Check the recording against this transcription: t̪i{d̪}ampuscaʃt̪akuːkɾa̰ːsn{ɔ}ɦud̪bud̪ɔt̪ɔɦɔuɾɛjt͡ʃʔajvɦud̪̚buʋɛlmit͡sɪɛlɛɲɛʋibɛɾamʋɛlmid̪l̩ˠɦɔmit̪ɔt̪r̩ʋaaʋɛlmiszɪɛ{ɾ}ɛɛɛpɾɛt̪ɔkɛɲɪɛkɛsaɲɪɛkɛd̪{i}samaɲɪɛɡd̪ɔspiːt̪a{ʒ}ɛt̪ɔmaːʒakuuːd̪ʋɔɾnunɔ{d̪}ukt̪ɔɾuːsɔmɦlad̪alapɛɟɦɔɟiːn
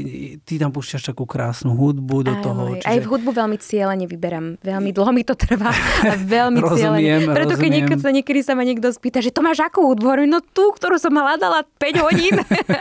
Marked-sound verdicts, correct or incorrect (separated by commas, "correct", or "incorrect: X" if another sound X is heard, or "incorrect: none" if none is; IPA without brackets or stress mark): incorrect: t̪, incorrect: u, incorrect: l, correct, correct, incorrect: t̪